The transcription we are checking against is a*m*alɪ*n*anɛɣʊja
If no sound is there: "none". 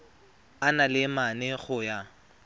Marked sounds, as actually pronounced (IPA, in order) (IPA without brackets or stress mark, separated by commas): n, m